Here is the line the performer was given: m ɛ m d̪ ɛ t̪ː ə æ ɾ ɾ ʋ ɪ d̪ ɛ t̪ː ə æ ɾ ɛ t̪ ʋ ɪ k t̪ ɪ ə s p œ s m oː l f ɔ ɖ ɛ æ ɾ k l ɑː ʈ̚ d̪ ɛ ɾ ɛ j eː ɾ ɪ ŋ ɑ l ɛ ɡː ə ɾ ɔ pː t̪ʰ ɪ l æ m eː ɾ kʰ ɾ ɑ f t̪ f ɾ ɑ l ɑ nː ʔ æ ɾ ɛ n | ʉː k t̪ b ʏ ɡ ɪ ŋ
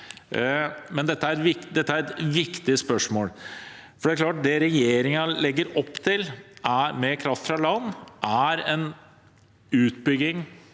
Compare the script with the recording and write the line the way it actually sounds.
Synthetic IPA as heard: m ɛ n d̪ ɛ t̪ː ə æ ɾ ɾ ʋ ɪ d̪ ɛ t̪ː ə æ ɾ ɛ t̪ ʋ ɪ k t̪ ɪ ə s p œ ʂ m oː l f ɔ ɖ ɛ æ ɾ k l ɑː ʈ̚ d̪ ɛ ɾ ɛ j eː ɾ ɪ ŋ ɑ l ɛ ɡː ə ɾ ɔ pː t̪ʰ ɪ l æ m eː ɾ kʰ ɾ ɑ f t̪ f ɾ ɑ l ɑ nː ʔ æ ɾ ɛ n | ʉː t̪ b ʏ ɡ ɪ ŋ